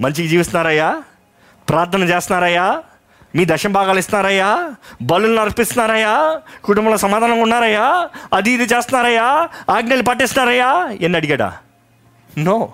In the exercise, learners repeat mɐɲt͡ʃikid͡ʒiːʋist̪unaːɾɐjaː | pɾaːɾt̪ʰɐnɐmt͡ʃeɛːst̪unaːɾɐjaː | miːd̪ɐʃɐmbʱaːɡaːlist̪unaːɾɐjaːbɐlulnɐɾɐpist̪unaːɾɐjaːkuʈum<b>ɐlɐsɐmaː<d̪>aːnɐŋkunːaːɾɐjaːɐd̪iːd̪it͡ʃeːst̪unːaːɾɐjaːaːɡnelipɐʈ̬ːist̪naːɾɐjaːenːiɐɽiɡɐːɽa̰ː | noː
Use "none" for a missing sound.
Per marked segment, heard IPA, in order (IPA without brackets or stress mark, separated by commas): b, d̪